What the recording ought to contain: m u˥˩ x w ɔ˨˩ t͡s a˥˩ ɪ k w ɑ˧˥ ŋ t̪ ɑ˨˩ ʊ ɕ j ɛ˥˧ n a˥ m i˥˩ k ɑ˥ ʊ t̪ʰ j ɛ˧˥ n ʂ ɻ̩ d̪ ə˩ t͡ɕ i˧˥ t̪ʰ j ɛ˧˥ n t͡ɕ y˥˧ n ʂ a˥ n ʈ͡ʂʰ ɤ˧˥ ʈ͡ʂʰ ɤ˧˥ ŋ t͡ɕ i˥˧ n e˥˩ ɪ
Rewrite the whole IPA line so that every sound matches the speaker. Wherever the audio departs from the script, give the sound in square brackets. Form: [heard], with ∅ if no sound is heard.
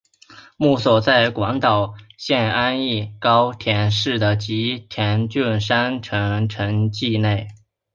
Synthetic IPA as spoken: m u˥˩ [s] w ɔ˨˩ t͡s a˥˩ ɪ k w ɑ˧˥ ŋ t̪ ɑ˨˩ ʊ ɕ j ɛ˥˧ n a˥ [n] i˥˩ k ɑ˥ ʊ t̪ʰ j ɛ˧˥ n ʂ ɻ̩ d̪ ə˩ t͡ɕ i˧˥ t̪ʰ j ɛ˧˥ n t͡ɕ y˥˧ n ʂ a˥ n ʈ͡ʂʰ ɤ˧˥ ʈ͡ʂʰ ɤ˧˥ ŋ t͡ɕ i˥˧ n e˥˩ ɪ